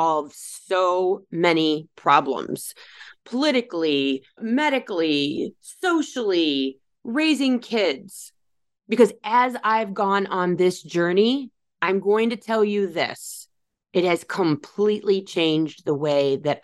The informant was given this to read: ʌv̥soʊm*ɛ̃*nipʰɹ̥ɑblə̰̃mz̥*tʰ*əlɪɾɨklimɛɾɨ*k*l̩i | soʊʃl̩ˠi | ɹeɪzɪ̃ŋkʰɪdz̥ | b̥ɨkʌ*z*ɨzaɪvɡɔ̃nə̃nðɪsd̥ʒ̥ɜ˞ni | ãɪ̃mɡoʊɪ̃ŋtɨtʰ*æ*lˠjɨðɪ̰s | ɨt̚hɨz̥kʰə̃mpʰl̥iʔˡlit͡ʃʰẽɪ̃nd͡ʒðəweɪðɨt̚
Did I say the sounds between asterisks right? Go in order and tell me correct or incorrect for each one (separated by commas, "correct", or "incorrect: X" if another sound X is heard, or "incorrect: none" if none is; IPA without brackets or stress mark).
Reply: incorrect: ɛ, incorrect: pʰ, correct, correct, incorrect: ɛ